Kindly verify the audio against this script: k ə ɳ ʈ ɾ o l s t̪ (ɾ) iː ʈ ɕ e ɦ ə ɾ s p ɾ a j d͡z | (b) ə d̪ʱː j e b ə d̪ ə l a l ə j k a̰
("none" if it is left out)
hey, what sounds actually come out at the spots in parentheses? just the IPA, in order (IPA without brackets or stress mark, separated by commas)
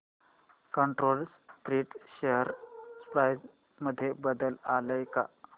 ɾ, m